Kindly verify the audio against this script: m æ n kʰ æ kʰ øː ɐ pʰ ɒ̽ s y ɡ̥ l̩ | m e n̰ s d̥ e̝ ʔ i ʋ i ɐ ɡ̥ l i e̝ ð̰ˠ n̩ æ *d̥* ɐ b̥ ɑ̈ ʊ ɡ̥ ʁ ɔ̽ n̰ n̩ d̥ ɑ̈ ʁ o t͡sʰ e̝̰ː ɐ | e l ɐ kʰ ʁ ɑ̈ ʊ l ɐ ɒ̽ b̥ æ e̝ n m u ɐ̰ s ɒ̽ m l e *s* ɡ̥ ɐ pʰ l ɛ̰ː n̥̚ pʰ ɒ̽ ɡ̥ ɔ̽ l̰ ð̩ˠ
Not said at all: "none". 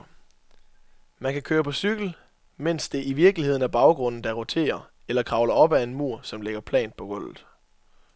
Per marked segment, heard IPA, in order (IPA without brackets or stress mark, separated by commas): none, none